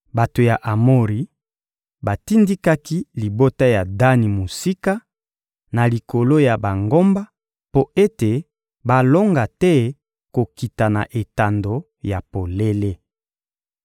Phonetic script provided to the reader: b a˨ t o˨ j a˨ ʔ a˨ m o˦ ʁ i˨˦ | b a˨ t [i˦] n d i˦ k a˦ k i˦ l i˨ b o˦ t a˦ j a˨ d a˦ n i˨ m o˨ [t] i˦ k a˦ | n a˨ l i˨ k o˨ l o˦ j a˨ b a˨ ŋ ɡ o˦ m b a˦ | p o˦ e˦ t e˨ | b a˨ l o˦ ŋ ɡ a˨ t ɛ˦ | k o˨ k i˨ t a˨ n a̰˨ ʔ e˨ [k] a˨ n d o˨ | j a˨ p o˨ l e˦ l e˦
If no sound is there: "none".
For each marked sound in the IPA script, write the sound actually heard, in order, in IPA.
i˦, s, t

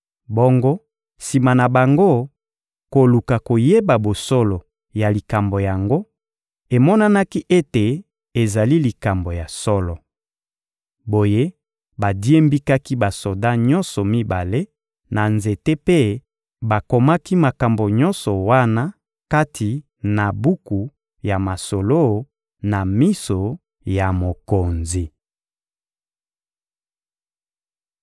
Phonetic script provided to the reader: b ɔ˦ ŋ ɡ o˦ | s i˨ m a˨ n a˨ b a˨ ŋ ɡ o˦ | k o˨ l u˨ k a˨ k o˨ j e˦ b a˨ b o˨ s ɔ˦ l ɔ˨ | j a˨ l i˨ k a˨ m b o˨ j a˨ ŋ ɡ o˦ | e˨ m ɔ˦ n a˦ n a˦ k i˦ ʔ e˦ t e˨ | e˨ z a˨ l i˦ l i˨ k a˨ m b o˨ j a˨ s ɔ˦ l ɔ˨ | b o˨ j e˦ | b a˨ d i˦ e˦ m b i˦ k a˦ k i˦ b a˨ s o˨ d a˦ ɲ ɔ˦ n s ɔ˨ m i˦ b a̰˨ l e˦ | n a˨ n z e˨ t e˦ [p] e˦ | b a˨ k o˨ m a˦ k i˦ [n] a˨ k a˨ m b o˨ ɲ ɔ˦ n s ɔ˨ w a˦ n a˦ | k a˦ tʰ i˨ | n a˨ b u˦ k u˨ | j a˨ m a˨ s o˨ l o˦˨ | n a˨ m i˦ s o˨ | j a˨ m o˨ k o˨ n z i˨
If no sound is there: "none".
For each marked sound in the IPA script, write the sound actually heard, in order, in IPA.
p, m

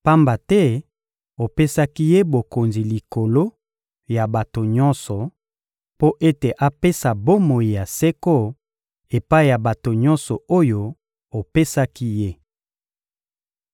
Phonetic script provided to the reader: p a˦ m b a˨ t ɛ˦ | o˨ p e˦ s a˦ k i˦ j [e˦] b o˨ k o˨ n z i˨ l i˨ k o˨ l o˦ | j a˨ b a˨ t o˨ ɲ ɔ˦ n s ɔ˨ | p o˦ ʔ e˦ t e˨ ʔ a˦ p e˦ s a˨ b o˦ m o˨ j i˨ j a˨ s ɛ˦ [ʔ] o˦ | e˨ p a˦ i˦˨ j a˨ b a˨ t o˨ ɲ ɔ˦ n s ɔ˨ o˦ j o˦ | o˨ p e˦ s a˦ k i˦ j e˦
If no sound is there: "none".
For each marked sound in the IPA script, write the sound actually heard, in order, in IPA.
e˦, k

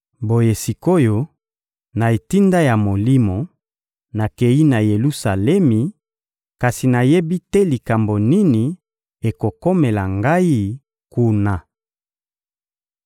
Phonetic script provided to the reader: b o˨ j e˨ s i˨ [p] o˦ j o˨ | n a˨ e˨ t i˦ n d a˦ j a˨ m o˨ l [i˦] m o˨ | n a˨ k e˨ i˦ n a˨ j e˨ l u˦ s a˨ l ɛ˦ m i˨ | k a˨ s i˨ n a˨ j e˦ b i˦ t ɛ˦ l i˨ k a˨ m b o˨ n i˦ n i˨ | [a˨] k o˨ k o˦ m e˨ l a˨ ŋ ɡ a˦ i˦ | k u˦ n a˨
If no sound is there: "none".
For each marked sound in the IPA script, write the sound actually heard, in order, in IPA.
k, i˦, e˨

